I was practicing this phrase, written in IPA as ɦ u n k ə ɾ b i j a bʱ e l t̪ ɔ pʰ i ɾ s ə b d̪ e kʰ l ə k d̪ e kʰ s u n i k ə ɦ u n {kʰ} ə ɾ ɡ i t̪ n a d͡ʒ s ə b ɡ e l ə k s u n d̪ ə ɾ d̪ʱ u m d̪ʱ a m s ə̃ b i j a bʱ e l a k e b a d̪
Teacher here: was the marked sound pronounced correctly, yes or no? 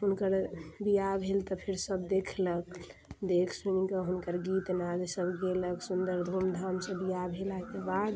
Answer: no